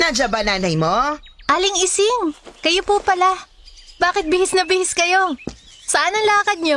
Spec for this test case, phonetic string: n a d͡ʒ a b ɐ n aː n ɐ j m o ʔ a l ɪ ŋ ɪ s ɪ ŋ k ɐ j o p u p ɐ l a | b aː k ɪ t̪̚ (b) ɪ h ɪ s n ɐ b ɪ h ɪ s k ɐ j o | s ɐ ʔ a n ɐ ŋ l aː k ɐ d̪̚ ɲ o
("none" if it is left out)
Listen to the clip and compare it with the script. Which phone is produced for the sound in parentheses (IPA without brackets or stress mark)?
b